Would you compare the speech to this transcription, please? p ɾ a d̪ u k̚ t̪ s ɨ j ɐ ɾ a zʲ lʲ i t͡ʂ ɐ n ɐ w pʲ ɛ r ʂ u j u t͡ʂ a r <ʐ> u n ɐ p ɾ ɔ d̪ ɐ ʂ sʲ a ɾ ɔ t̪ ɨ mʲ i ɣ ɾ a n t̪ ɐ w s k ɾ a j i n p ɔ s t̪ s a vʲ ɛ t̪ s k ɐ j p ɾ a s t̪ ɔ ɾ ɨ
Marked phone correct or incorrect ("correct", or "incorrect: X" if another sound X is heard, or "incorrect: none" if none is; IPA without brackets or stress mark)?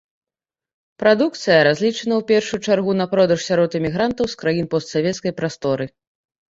incorrect: ɣ